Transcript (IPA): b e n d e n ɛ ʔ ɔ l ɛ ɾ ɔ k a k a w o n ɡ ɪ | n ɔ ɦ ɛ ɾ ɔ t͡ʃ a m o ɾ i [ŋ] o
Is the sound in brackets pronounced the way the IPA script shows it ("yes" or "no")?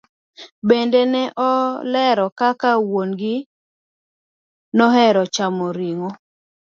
yes